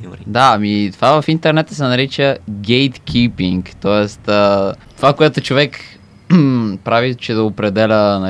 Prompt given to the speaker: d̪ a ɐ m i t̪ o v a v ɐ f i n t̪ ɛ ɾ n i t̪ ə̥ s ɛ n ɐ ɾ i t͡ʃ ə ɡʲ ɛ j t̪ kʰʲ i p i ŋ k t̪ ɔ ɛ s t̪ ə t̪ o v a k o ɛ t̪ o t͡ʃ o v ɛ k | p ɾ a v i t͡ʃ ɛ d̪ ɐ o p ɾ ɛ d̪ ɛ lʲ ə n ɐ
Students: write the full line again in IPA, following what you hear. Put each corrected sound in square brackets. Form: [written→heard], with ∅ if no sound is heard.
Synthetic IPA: d̪ a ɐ m i t̪ o v a v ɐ f i n t̪ ɛ ɾ n [i→ɛ] t̪ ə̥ s ɛ n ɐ ɾ i t͡ʃ ə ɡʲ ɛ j t̪ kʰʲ i p i ŋ k t̪ ɔ ɛ s t̪ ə t̪ o v a k o ɛ t̪ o t͡ʃ o v ɛ k | p ɾ a v i t͡ʃ ɛ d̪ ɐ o p ɾ ɛ d̪ ɛ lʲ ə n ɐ